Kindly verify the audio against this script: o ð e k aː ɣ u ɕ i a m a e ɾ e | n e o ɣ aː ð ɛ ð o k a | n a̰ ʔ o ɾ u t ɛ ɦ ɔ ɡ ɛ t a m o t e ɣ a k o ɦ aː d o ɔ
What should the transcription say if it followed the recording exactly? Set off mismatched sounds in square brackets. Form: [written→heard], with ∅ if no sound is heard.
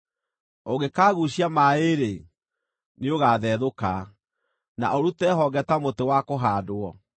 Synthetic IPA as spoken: o [ð→ɣ] e k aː ɣ u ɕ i a m a e ɾ e | n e o ɣ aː ð ɛ ð o k a | n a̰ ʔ o ɾ u t ɛ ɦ ɔ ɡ ɛ t a m o t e [ɣ→w] a k o ɦ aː d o ɔ